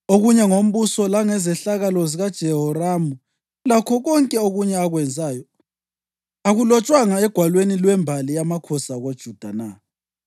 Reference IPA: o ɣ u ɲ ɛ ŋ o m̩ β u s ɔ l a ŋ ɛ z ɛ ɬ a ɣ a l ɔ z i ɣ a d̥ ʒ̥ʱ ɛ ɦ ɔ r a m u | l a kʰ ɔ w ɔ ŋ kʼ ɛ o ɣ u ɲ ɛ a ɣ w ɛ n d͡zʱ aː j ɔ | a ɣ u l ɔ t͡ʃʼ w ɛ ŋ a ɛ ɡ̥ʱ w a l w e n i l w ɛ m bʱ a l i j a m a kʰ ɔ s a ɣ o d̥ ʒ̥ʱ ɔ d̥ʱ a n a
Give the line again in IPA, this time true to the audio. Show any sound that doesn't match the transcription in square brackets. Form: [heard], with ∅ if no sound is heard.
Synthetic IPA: o ɣ u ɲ ɛ ŋ o m̩ β u s ɔ l a ŋ ɛ z ɛ ɬ a ɣ a l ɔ z i ɣ a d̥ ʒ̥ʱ ɛ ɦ ɔ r a m u | l a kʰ ɔ [ɣ] ɔ ŋ kʼ ɛ o ɣ u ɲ ɛ a ɣ w ɛ n d͡zʱ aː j ɔ | a ɣ u l ɔ t͡ʃʼ w [a] ŋ a ɛ ɡ̥ʱ w a l w e n i l w ɛ m bʱ a l i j a m a kʰ ɔ s a ɣ o d̥ ʒ̥ʱ [u] d̥ʱ a n a